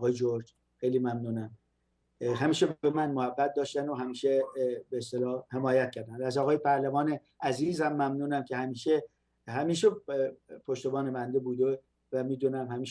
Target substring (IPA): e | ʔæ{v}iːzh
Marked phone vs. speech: incorrect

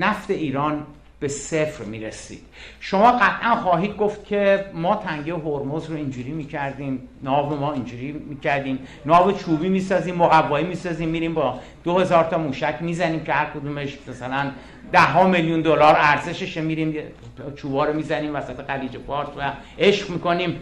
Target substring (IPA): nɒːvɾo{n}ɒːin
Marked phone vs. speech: incorrect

